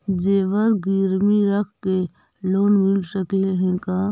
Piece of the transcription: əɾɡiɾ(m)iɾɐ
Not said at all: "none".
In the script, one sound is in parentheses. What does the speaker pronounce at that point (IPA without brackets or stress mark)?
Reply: m